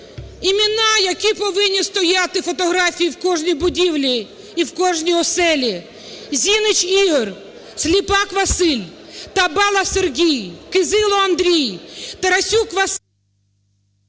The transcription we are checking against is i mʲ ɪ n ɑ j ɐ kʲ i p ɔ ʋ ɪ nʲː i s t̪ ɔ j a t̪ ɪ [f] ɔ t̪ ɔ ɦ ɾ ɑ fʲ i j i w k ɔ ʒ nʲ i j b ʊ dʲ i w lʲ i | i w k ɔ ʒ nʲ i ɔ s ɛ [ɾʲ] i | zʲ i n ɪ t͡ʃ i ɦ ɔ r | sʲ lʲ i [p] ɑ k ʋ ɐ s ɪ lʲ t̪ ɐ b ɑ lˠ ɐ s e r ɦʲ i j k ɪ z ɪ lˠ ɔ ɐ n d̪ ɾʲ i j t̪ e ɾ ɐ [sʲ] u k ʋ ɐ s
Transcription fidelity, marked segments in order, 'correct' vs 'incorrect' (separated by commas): correct, incorrect, correct, correct